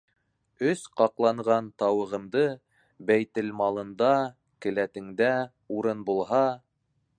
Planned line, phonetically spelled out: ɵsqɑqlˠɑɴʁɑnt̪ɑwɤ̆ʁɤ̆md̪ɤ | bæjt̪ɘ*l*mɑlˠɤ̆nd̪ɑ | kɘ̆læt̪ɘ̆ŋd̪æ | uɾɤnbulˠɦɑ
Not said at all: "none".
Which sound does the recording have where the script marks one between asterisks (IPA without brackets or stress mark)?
l